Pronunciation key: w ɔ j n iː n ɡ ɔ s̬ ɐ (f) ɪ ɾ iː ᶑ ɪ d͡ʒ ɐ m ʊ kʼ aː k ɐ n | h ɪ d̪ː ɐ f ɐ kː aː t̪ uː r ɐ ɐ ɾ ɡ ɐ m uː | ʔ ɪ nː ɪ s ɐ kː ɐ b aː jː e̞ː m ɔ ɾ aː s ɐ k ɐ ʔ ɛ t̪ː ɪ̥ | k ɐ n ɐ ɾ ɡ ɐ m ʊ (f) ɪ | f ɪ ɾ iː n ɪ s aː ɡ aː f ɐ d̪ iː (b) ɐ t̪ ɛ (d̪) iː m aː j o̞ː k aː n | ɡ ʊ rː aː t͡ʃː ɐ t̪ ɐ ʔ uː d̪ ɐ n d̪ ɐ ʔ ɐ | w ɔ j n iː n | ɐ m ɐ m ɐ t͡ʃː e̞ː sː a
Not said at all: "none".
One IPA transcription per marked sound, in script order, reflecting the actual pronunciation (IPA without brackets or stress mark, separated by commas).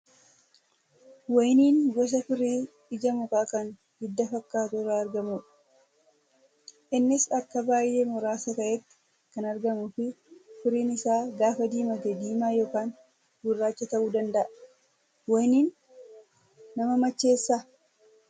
f, f, m, d̪